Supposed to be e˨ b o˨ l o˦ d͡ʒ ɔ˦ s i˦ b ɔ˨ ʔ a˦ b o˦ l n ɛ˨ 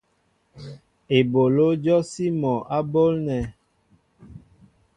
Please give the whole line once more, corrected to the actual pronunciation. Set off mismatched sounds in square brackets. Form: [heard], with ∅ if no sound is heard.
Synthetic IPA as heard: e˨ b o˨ l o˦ d͡ʒ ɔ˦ s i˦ [m] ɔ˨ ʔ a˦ b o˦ l n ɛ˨